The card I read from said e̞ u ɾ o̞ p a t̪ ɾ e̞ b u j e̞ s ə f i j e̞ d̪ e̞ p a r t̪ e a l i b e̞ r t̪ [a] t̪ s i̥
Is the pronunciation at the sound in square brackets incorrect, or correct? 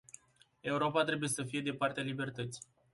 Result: incorrect